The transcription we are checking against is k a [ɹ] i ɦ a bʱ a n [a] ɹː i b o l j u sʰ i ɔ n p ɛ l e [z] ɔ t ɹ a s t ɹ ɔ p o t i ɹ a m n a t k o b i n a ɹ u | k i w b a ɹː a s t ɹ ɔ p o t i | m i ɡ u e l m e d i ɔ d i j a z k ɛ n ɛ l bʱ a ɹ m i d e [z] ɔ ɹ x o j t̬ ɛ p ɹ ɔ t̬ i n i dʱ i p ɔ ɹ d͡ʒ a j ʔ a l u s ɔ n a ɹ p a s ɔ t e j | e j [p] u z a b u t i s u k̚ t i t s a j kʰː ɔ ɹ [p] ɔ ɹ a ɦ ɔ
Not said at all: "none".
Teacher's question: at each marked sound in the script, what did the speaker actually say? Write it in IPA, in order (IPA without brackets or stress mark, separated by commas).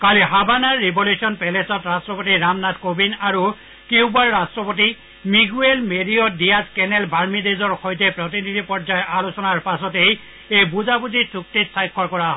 l, a, s, z, b, k